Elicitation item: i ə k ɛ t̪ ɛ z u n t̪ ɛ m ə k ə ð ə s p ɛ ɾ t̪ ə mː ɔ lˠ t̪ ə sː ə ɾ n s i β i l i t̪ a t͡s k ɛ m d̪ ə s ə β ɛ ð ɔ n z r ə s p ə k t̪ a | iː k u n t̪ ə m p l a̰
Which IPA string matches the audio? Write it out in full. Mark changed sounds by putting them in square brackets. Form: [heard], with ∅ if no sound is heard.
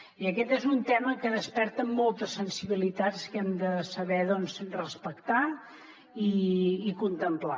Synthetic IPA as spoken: i ə k ɛ t̪ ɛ z u n t̪ ɛ m ə k ə ð ə s p ɛ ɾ t̪ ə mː ɔ lˠ t̪ ə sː ə [∅] n s i β i l i t̪ a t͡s k ɛ m d̪ ə s ə β ɛ ð ɔ n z r ə s p ə k t̪ a | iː k u n t̪ ə m p l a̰